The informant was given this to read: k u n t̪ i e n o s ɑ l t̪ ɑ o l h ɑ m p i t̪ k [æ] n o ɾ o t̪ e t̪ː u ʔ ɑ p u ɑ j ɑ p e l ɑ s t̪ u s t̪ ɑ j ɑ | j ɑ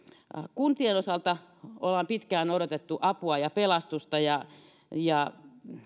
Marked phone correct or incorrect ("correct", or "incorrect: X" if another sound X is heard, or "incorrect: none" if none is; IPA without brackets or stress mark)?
incorrect: æː